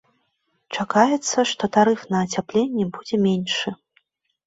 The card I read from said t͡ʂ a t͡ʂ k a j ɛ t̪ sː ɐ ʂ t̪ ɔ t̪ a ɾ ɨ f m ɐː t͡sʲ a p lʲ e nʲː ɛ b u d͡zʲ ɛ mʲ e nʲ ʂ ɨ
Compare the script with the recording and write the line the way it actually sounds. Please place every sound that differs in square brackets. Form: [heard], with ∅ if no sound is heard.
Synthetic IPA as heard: t͡ʂ a [∅] k a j ɛ t̪ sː ɐ ʂ t̪ ɔ t̪ a ɾ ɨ f [n] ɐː t͡sʲ a p lʲ e nʲː ɛ b u d͡zʲ ɛ mʲ e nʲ ʂ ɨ